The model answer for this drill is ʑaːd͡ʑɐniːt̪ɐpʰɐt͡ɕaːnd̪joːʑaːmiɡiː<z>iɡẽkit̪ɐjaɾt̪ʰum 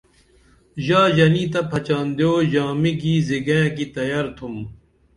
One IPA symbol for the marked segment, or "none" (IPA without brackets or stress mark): z